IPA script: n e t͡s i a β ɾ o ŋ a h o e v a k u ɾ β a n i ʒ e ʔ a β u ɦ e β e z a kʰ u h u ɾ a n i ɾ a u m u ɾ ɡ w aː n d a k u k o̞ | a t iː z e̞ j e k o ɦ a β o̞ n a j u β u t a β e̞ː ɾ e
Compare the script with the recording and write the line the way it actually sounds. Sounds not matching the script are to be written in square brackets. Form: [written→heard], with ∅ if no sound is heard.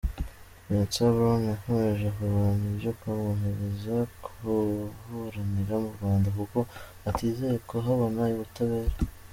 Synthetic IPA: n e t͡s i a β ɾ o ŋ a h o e [v→ʒ] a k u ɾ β a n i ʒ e [ʔ→k] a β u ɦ e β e z a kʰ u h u ɾ a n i ɾ a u m u ɾ ɡ w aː n d a k u k o̞ | a t iː z e̞ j e k o ɦ a β o̞ n a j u β u t a β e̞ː ɾ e